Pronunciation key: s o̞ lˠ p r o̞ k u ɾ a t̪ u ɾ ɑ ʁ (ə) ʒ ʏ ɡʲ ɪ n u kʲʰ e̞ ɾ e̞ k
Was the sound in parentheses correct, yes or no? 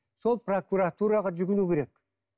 no